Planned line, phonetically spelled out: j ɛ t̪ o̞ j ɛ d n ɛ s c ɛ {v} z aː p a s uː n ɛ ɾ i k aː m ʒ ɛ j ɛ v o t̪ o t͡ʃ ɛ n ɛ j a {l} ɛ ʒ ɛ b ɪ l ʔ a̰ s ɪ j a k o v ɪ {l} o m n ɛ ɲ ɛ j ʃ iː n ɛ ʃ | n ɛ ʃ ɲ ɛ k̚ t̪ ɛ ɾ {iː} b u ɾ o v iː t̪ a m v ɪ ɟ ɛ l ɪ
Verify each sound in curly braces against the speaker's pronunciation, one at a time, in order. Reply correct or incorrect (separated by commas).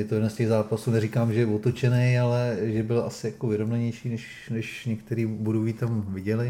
incorrect, correct, incorrect, correct